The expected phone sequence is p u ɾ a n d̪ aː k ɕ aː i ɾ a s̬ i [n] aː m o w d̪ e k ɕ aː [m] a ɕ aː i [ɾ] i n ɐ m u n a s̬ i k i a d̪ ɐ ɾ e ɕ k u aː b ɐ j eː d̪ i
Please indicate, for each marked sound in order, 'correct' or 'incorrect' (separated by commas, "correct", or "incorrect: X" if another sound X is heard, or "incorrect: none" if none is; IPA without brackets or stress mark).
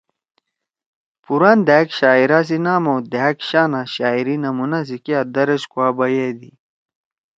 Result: correct, incorrect: n, correct